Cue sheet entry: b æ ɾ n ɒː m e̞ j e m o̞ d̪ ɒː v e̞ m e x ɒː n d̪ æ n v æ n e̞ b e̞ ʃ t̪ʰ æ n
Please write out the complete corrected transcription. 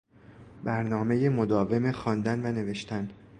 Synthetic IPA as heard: b æ ɾ n ɒː m e̞ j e m o̞ d̪ ɒː v e̞ m e x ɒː n d̪ æ n v æ n e̞ v e̞ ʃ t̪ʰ æ n

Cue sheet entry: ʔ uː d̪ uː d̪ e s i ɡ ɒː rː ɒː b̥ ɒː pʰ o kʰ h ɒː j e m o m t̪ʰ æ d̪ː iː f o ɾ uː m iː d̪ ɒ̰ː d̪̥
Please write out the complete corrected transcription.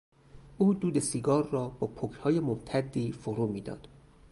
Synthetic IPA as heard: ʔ uː d̪ uː d̪ e s i ɡ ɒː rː ɒː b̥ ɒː pʰ o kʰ h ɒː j e m o m t̪ʰ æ d̪ː iː f o ɾ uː m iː d̪ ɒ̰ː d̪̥

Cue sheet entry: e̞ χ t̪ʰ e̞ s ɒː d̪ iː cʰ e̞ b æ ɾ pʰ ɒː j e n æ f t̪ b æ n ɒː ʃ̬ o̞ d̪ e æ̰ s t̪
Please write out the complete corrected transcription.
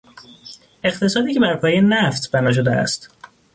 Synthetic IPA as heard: e̞ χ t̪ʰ e̞ s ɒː d̪ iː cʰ e̞ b æ ɾ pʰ ɒː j e n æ f t̪ b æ n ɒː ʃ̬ o̞ d̪ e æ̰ s t̪

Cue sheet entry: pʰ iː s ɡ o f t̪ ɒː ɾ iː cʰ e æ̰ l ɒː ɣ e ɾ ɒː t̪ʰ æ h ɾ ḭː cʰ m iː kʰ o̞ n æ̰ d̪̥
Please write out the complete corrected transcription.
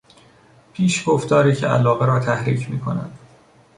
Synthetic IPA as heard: pʰ iː ʃ ɡ o f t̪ ɒː ɾ iː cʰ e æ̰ l ɒː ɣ e ɾ ɒː t̪ʰ æ h ɾ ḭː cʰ m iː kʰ o̞ n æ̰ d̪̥

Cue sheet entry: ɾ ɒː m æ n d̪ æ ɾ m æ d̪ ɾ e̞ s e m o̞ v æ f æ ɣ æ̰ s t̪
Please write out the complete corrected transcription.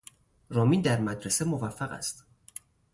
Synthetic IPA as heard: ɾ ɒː m i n d̪ æ ɾ m æ d̪ ɾ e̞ s e m o̞ v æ fː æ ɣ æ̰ s t̪

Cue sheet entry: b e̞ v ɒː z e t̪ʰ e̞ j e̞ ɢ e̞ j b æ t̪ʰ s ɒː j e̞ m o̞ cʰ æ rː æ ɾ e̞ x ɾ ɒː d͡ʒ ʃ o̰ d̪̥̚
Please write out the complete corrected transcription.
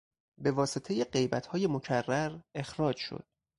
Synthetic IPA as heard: b e̞ v ɒː s e t̪ʰ e̞ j e̞ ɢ e̞ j b æ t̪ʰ h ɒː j e̞ m o̞ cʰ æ rː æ ɾ e̞ x ɾ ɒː d͡ʒ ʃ o̰ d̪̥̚

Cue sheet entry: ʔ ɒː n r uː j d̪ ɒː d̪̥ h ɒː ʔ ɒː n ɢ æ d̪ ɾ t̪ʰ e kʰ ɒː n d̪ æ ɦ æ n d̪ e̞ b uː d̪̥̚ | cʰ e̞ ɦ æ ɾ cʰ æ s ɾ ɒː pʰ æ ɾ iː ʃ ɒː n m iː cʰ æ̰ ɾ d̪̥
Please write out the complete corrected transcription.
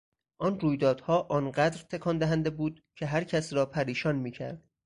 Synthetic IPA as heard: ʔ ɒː n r uː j d̪ ɒː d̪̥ h ɒː ʔ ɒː n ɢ æ d̪ ɾ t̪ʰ e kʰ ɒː n d̪ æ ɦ æ n d̪ e̞ b uː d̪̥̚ | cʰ e̞ ɦ æ ɾ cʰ æ s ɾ ɒː pʰ æ ɾ iː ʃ ɒː n m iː cʰ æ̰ ɾ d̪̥

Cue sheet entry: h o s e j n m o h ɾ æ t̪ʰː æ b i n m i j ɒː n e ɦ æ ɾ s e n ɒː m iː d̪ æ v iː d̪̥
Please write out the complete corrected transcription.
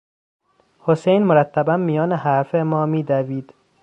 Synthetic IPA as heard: h o s e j n m o ɾ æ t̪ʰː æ b æ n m i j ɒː n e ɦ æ ɾ f e m ɒː m iː d̪ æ v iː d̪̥

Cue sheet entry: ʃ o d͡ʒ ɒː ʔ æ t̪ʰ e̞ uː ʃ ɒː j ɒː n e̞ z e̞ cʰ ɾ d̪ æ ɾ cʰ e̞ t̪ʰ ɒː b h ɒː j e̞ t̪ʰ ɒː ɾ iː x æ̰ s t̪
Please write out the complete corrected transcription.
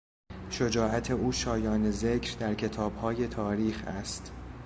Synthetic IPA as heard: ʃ o d͡ʒ ɒː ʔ æ t̪ʰ e̞ uː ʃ ɒː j ɒː n e̞ z e̞ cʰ ɾ d̪ æ ɾ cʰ e̞ t̪ʰ ɒː b h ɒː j e̞ t̪ʰ ɒː ɾ iː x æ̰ s t̪

